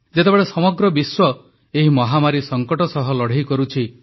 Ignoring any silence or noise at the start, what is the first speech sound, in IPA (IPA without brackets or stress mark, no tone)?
d͡ʒ